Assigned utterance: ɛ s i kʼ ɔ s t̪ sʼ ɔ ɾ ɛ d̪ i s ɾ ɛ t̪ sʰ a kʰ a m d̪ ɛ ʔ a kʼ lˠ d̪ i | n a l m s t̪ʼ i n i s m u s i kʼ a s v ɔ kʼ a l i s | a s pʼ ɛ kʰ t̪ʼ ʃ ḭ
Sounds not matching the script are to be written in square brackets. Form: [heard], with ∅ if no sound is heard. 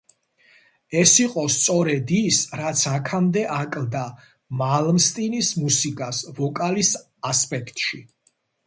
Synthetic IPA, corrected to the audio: ɛ s i [qʼ] ɔ s t̪ sʼ ɔ ɾ ɛ d̪ i s ɾ [a] t̪ sʰ a kʰ a m d̪ ɛ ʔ a kʼ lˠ d̪ [a] | [m] a l m s t̪ʼ i n i s m u s i kʼ a s v ɔ kʼ a l i s | a s pʼ ɛ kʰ t̪ʼ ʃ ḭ